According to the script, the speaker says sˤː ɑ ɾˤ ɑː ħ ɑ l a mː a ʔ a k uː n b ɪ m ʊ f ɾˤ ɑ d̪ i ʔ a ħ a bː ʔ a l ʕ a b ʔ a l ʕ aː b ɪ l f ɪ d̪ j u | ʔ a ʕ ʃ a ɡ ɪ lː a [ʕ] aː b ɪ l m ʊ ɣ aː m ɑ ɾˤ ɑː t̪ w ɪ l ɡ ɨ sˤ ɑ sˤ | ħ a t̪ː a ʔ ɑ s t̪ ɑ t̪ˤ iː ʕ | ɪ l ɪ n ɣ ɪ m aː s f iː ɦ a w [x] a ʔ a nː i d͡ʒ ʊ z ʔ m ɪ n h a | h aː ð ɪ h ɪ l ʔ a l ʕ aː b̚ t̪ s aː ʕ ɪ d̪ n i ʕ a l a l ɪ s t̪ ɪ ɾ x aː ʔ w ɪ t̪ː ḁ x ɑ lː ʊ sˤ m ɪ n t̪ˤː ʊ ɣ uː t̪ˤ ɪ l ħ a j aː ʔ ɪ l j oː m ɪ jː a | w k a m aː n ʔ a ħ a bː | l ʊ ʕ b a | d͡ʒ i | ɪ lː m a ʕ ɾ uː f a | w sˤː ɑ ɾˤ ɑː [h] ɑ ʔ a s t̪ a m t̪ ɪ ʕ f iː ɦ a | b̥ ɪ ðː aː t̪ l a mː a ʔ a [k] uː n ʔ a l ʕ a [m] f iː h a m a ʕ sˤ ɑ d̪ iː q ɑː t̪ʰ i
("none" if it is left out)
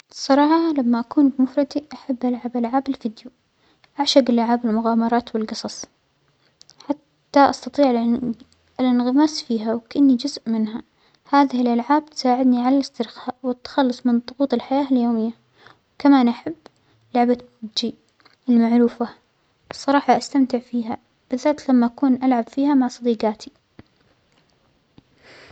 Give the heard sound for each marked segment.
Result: ʕ, k, ħ, k, b

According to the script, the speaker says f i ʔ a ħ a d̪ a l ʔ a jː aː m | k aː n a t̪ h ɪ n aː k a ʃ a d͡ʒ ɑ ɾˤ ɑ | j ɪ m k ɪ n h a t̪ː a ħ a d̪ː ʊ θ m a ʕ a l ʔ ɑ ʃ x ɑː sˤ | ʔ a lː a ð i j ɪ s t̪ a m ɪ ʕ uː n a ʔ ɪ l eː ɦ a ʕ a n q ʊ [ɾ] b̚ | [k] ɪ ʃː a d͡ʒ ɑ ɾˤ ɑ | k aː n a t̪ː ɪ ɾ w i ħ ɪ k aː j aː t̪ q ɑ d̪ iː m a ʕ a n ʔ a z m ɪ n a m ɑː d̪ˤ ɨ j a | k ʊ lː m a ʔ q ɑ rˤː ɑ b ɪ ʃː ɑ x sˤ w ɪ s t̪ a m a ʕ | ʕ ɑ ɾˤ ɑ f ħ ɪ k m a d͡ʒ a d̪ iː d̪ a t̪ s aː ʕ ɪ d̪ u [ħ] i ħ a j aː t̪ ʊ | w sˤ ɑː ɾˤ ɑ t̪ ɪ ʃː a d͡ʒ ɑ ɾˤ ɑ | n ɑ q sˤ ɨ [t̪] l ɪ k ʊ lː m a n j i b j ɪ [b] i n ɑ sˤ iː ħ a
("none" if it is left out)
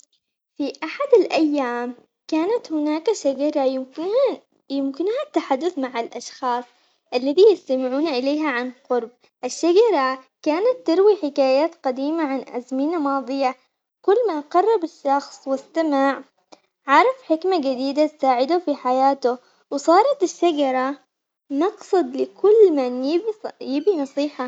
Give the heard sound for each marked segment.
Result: ɾ, ʔ, f, d̪, b

